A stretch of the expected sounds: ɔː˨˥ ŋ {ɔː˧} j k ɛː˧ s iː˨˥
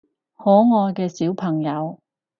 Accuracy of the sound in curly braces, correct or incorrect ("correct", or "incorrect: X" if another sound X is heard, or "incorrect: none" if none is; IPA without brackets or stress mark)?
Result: correct